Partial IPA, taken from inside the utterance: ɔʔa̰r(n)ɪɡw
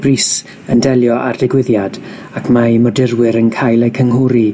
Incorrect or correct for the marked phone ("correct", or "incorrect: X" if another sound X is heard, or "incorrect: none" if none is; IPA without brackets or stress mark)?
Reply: incorrect: d